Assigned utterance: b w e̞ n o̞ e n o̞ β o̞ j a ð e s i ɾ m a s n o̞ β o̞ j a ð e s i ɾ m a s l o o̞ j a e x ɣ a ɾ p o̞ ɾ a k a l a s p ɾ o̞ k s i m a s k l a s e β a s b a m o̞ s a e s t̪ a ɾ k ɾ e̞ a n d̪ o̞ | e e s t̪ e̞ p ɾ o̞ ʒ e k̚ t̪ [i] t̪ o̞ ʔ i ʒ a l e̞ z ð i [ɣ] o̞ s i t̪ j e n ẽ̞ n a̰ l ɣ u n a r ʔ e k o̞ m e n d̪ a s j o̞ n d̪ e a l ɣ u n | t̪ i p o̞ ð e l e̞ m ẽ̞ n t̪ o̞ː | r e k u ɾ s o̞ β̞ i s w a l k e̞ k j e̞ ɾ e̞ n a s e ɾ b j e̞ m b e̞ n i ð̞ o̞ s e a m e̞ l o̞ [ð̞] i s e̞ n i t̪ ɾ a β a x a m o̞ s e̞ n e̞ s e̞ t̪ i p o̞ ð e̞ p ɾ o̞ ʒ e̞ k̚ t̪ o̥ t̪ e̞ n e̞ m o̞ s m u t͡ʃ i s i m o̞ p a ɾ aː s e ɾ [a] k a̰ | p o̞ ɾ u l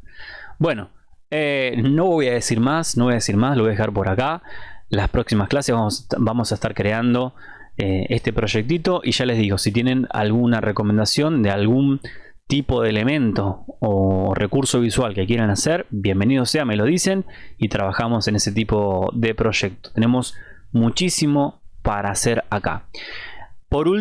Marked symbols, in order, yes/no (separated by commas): yes, yes, yes, yes